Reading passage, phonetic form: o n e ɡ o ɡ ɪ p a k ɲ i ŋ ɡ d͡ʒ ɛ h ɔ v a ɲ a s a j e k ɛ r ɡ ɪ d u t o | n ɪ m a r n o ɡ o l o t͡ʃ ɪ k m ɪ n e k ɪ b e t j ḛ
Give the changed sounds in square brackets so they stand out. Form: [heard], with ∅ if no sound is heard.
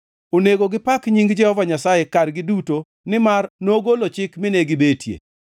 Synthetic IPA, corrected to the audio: o n e ɡ o ɡ ɪ p a k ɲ i ŋ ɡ d͡ʒ ɛ h ɔ v a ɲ a s a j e k [a] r ɡ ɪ d u t o | n ɪ m a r n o ɡ o l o t͡ʃ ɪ k m ɪ n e [ɡ] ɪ b e t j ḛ